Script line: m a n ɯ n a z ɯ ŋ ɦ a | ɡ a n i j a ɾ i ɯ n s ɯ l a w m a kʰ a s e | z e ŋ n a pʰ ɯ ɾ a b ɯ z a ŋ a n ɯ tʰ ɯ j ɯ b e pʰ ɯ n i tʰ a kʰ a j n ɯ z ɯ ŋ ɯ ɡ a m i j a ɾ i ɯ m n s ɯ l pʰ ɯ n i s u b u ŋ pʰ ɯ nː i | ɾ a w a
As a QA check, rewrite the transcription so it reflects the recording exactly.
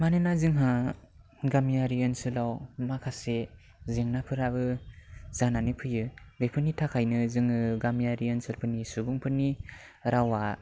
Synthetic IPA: m a n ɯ n a z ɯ ŋ ɦ a | ɡ a m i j a ɾ i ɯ n s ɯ l a w m a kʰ a s e | z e ŋ n a pʰ ɯ ɾ a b ɯ z a n a n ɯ pʰ ɯ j ɯ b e pʰ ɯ n i tʰ a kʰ a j n ɯ z ɯ ŋ ɯ ɡ a m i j a ɾ i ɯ n s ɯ l pʰ ɯ n i s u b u ŋ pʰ ɯ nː i | ɾ a w a